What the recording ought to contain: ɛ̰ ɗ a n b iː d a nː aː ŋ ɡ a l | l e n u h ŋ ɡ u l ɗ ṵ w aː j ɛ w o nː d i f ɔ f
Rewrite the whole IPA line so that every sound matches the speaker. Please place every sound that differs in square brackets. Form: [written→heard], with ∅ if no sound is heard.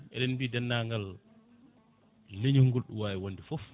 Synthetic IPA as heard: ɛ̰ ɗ [a→ɛ] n b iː d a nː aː ŋ ɡ a l | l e [n→ɲ] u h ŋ ɡ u l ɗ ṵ w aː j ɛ w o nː d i f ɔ f

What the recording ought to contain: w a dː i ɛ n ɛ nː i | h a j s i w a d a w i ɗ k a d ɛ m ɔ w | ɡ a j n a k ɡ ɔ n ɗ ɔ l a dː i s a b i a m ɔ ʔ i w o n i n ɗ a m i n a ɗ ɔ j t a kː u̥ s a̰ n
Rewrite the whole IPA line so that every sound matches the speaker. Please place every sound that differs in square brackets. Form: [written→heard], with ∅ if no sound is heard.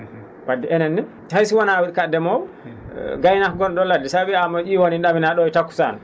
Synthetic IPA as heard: w a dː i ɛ n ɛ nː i | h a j s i w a [d→n] a w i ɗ k a d ɛ m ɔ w | ɡ a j n a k ɡ ɔ n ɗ ɔ l a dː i s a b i a m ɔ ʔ i w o n i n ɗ a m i n a ɗ ɔ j t a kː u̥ s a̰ n

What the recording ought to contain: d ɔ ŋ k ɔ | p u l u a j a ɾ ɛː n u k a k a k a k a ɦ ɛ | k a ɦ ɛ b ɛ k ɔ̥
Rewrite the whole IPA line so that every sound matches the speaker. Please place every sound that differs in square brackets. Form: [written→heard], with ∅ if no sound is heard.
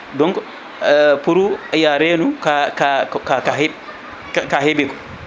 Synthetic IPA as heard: d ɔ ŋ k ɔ | p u [l→ɾ] u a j a ɾ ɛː n u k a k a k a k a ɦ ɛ | k a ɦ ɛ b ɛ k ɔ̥

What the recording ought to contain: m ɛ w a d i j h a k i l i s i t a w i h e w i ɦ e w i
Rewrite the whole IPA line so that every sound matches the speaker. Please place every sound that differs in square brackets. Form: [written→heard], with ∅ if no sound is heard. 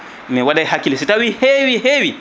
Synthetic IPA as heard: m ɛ w a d [i→a] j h a k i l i s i t a w i h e w i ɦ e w i

